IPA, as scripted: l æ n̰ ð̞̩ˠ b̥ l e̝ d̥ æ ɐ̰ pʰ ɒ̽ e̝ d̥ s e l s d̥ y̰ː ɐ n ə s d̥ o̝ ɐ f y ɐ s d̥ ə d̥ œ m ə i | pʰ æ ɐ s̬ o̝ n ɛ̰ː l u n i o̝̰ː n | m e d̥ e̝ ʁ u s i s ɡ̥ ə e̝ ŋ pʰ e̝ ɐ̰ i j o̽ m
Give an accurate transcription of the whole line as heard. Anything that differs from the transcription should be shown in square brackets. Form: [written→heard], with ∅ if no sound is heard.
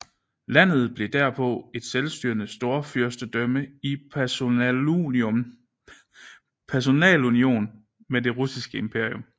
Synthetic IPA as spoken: l æ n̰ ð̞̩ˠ b̥ l e̝ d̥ æ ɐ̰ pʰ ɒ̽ e̝ d̥ s e l s d̥ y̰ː ɐ n ə s d̥ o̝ ɐ f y ɐ s d̥ ə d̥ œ m ə i | pʰ æ ɐ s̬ o̝ n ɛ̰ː l u n i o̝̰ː n | m e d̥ e̝ ʁ u s i s ɡ̥ ə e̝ [ŋ→m] pʰ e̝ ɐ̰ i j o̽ m